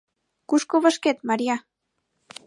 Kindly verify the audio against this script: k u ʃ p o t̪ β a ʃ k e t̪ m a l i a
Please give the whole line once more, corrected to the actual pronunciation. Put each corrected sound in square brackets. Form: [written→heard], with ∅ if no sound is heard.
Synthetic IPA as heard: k u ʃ [p→k] o [t̪→∅] β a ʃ k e t̪ m a [l→ɾ] i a